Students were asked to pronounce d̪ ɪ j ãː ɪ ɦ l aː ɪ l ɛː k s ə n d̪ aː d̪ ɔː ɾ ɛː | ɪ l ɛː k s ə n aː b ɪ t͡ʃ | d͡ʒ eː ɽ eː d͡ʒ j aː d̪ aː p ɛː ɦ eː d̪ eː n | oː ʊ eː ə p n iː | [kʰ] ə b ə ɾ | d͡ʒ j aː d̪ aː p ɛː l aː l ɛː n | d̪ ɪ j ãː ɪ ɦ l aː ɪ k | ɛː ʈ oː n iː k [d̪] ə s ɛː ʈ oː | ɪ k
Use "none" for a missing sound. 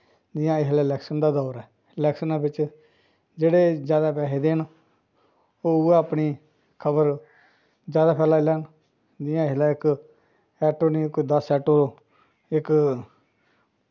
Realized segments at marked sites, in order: kʰ, d̪

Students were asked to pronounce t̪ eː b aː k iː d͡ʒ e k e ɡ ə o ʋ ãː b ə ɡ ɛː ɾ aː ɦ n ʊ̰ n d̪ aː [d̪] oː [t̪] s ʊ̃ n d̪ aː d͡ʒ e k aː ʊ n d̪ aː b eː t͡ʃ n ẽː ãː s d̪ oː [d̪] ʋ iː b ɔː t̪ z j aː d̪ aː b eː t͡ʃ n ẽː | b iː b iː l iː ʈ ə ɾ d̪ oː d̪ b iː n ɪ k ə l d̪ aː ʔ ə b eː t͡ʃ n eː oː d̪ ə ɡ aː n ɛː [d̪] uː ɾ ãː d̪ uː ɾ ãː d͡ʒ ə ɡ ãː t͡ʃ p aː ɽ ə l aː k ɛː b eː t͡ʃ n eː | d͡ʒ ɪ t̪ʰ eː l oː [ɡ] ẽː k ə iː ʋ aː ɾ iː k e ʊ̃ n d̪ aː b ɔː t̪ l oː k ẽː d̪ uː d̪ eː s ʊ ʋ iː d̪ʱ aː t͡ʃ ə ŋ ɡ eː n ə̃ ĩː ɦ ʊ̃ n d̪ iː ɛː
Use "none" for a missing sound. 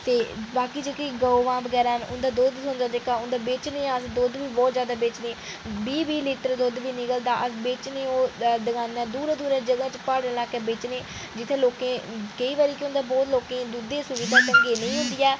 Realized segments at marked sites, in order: d̪, d̪, d̪, d̪, k

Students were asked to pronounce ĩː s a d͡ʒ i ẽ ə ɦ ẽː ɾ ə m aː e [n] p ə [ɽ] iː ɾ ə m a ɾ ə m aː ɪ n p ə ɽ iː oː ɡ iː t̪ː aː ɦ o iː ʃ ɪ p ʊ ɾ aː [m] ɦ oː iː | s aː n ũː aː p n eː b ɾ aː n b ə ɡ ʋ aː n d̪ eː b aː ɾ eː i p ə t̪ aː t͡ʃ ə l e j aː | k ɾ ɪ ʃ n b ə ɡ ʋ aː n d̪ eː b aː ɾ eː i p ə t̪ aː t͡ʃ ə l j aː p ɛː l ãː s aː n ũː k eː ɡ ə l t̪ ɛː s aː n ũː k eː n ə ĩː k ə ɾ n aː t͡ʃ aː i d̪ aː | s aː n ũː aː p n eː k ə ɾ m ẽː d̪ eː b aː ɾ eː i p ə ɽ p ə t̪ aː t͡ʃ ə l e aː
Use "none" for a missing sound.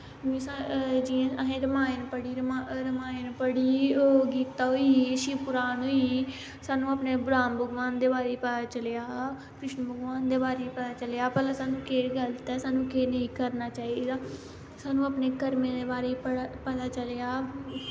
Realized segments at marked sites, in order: n, ɽ, n

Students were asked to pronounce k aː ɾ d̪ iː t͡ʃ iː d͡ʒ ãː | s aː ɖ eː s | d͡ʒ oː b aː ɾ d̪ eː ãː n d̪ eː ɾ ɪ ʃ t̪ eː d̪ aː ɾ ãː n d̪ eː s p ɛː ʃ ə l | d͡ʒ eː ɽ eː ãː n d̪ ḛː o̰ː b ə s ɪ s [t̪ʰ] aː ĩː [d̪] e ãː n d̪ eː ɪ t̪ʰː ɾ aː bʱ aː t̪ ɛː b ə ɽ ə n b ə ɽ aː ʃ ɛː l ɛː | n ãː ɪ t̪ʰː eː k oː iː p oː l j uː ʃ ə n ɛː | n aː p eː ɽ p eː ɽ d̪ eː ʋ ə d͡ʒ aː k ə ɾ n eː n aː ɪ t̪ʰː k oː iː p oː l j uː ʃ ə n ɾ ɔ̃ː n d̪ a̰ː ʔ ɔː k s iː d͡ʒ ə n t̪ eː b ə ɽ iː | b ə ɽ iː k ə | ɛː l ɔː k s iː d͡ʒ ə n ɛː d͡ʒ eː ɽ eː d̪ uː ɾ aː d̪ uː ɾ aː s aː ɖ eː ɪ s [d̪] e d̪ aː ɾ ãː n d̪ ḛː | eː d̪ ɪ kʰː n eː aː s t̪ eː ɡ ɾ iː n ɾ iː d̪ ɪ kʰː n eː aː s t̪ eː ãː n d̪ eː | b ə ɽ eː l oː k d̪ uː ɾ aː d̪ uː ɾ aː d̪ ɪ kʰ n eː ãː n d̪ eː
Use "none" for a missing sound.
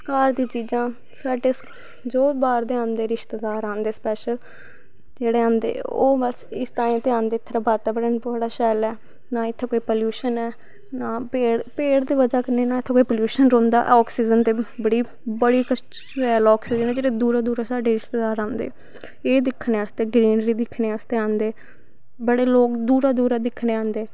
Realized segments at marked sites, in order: t̪, t̪, t̪

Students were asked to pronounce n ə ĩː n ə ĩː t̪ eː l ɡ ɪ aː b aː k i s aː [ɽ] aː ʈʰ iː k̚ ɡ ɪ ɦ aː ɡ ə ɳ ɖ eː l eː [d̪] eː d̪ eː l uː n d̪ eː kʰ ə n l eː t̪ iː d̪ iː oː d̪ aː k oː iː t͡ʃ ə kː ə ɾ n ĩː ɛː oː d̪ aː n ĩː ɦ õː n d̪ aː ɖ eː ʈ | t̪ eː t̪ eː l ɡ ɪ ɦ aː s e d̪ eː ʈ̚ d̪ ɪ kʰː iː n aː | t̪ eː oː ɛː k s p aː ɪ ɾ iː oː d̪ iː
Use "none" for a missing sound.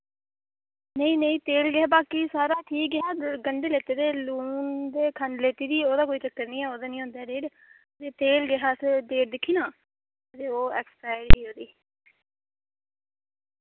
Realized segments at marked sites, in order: ɾ, t̪

